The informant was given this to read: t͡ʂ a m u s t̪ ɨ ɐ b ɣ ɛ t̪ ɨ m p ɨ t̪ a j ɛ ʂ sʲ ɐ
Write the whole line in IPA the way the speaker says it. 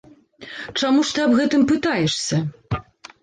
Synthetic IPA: t͡ʂ a m u ʂ t̪ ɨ ɐ b ɣ ɛ t̪ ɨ m p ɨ t̪ a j ɛ ʂ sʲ ɐ